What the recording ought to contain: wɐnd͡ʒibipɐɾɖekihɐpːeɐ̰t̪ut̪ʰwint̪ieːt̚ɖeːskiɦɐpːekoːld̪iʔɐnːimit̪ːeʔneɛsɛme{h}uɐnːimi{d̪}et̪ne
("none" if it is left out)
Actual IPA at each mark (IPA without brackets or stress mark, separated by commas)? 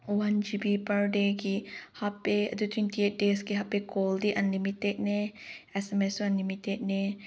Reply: s, t̪